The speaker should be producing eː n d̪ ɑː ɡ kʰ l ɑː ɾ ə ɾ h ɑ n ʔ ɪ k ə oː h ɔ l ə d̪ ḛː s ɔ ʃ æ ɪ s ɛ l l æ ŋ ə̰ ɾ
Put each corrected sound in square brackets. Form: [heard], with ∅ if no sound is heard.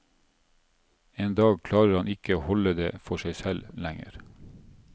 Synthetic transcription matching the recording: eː n d̪ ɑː ɡ kʰ l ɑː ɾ ə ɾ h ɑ n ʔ ɪ k ə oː h ɔ l ə d̪ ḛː [f] ɔ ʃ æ ɪ s ɛ l l æ ŋ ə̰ ɾ

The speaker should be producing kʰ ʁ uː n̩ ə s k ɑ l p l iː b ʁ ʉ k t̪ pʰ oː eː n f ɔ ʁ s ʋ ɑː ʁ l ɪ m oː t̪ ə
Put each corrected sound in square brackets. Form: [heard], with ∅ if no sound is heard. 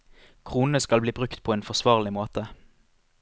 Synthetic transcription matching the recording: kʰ ʁ uː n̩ ə s k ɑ l [b] l iː b ʁ ʉ k t̪ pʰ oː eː n f ɔ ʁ s ʋ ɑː ʁ l ɪ m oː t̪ ə

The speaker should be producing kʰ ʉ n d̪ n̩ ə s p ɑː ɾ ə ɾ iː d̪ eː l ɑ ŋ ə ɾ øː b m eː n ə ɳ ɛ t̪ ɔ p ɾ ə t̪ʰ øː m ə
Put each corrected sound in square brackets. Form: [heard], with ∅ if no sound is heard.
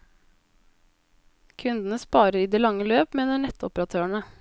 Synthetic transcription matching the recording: kʰ ʉ n d̪ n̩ ə s p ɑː ɾ ə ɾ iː d̪ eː l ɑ ŋ ə [l] øː [p] m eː n ə ɳ ɛ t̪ ɔ p ɾ [ɑ] t̪ʰ øː [ɳ] ə

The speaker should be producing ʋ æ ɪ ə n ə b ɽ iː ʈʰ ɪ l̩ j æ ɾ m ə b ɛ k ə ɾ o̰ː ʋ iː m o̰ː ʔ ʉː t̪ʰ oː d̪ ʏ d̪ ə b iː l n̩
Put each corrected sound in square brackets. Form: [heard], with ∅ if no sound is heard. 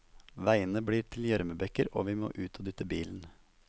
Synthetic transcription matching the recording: ʋ æ ɪ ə n ə b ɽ iː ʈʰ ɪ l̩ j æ ɾ m ə b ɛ k ə ɾ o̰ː ʋ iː m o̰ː ʔ ʉː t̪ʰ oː d̪ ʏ [t̪] ə b iː l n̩

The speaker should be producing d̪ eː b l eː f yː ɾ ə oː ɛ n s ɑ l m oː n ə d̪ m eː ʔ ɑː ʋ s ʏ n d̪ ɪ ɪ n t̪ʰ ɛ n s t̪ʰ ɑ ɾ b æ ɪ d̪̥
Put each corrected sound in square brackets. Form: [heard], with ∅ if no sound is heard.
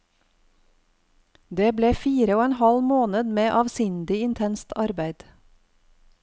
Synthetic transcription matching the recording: d̪ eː b l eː f [iː] ɾ ə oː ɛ n [h] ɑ l m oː n ə d̪ m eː ʔ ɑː ʋ s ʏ n d̪ ɪ ɪ n t̪ʰ ɛ n s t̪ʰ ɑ ɾ b æ ɪ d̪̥

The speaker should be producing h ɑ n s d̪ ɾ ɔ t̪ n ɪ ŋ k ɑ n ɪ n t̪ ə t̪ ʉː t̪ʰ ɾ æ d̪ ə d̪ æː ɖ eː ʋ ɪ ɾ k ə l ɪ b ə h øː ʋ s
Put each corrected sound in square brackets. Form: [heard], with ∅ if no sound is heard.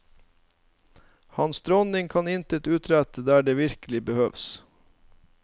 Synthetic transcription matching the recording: h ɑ n s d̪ ɾ ɔ [∅] n ɪ ŋ [kʰ] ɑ n ɪ n t̪ ə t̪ ʉː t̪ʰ ɾ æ [t̪] ə d̪ æː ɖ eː ʋ ɪ ɾ k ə l ɪ b ə h øː ʋ s

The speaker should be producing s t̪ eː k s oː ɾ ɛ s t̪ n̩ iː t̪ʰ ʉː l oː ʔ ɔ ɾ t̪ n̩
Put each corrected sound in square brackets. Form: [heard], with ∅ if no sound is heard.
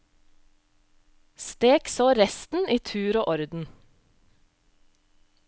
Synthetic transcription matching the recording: s t̪ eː k s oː ɾ ɛ s t̪ n̩ iː t̪ʰ ʉː [ɾ] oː ʔ ɔ ɾ [d̪] n̩

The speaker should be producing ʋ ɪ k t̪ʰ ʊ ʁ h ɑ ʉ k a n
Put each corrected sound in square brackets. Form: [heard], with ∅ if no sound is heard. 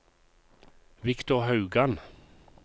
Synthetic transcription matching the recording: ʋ ɪ k [t̪] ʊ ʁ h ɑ ʉ [ɡ] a n

